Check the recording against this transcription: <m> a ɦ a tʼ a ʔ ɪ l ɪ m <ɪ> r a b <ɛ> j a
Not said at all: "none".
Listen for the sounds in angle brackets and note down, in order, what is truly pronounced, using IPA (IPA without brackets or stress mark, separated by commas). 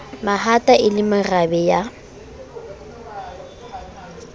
m, ɪ, ɛ